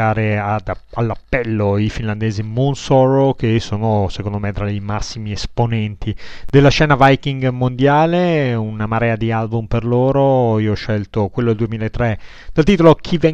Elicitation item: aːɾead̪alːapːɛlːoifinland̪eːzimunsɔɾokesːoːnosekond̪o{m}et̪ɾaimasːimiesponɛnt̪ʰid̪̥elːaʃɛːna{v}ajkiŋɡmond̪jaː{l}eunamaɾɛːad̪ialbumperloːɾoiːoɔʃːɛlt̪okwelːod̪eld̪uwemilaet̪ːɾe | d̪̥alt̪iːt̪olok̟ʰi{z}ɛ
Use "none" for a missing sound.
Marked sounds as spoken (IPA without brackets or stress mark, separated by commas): m, v, l, v